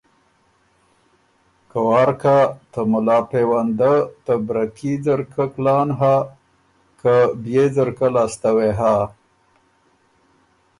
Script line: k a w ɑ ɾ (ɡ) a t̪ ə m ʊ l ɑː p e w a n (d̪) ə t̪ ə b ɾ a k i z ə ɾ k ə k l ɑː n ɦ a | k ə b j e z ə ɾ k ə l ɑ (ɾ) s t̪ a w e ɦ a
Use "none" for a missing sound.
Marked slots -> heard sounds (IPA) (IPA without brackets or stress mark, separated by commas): k, d̪, none